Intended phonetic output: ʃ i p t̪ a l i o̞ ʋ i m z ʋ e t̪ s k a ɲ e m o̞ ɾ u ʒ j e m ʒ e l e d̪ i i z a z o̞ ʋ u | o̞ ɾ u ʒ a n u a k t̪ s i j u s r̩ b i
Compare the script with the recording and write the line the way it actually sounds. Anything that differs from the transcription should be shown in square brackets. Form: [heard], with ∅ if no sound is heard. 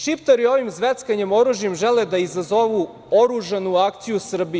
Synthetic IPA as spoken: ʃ i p t̪ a [ɾ] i o̞ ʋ i m z ʋ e t̪ s k a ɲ e m o̞ ɾ u ʒ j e m ʒ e l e d̪ [a] i z a z o̞ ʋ u | o̞ ɾ u ʒ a n u a k t̪ s i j u s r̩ b i